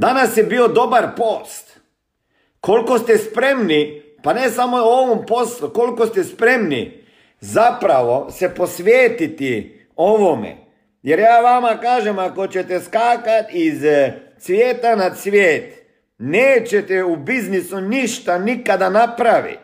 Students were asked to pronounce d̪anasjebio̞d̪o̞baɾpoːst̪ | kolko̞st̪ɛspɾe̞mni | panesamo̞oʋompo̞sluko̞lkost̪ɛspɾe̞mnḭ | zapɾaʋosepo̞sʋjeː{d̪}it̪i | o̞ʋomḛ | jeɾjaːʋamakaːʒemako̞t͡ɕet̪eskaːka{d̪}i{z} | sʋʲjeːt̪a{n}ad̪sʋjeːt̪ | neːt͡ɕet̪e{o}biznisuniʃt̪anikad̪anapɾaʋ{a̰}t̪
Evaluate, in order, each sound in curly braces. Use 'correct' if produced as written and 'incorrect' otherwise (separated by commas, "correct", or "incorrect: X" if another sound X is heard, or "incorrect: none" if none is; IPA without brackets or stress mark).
incorrect: t̪, incorrect: t̪, correct, correct, incorrect: u, incorrect: ḭ